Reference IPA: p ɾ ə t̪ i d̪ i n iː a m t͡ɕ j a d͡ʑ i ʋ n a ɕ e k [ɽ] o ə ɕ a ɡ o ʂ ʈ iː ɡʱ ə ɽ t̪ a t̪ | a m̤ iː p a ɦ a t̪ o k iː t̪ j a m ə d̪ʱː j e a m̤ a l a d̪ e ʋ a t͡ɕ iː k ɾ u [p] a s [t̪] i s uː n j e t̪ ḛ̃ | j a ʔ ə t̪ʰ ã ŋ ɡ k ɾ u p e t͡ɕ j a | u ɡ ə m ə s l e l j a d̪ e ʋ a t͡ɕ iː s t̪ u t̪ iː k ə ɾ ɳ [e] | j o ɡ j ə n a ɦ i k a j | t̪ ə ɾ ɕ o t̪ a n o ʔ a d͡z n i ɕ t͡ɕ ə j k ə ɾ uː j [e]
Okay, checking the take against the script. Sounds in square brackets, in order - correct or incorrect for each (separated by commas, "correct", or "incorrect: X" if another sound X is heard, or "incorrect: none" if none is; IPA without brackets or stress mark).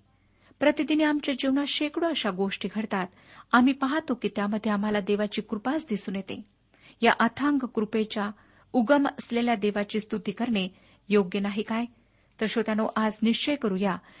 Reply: correct, correct, incorrect: d̪, correct, incorrect: a